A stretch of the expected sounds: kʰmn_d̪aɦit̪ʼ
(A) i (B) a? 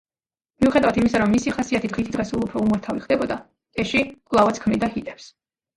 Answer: A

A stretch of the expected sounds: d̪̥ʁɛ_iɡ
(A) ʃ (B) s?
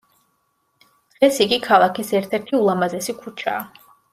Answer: B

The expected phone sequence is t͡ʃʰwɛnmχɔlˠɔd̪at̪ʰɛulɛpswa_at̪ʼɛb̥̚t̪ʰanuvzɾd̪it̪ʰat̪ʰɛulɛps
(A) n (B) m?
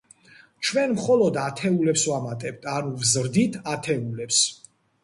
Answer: B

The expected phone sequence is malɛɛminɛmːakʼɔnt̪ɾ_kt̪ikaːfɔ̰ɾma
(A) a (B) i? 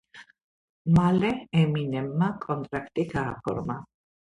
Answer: A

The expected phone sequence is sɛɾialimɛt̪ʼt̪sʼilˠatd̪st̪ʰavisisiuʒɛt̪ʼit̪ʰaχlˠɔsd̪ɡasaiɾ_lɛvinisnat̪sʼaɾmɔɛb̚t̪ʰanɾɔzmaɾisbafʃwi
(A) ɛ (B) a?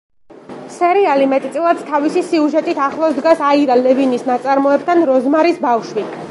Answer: B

